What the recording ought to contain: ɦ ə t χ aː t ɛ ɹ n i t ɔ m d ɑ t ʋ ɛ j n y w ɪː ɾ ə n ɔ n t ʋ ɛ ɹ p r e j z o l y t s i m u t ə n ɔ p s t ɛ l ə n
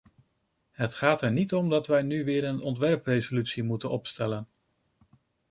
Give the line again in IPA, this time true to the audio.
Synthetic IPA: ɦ ə t χ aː t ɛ ɹ n i t ɔ m d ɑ t ʋ ɛ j n y ʋ ɪː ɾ ə n ɔ n t ʋ ɛ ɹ p r e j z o l y t s i m u t ə n ɔ p s t ɛ l ə n